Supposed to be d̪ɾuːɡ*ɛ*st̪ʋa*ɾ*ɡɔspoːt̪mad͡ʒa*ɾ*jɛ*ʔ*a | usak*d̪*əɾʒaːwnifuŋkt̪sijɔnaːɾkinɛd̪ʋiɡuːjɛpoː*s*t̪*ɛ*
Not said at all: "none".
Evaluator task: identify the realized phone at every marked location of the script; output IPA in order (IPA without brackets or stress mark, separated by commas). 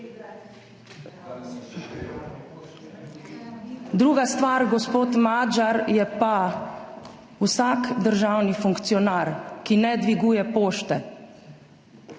a, ɾ, ɾ, p, d̪, ʃ, ɛ